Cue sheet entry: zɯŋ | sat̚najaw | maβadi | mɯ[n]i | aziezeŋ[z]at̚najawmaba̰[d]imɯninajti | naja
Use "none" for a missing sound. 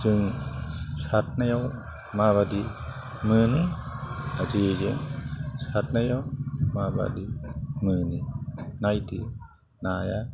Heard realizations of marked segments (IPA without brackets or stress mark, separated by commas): n, s, d